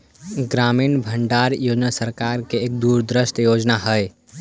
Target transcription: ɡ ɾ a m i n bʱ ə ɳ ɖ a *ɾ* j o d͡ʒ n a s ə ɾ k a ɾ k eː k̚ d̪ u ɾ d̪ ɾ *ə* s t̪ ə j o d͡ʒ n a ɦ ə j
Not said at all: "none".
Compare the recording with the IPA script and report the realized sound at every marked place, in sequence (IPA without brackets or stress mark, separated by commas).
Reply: ɾ, ə